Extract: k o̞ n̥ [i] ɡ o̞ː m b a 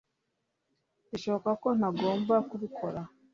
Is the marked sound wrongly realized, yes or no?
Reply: yes